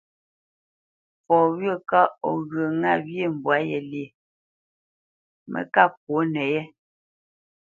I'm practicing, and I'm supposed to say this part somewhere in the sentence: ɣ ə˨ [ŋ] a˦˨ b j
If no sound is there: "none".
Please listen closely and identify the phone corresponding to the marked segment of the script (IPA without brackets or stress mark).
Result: ŋ